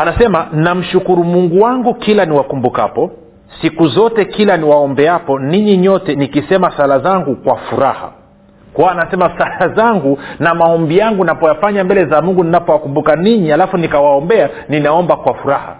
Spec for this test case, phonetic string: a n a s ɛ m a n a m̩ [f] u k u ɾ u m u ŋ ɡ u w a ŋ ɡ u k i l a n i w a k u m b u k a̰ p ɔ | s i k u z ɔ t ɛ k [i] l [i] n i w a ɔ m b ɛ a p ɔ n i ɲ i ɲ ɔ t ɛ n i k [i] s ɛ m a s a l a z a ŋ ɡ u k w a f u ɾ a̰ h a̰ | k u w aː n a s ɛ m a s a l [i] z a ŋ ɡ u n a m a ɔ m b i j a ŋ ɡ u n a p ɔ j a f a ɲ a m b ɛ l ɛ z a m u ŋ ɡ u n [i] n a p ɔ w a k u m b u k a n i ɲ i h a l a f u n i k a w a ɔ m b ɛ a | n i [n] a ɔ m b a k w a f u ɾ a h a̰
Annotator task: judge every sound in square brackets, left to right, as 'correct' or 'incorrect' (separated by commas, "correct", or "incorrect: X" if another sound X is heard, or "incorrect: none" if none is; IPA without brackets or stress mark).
incorrect: ʃ, correct, incorrect: a, correct, incorrect: a, correct, correct